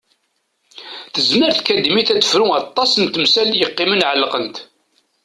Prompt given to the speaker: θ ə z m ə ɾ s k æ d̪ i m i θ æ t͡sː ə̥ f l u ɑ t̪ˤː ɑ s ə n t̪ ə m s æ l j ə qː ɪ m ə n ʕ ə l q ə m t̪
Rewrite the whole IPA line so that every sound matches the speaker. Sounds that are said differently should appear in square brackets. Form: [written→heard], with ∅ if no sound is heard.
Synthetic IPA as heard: θ ə z m ə ɾ [s→θ] k æ d̪ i m i θ æ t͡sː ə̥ f [l→ɾ] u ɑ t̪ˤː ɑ s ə n t̪ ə m s æ l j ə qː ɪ m ə n ʕ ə l q ə [m→n] t̪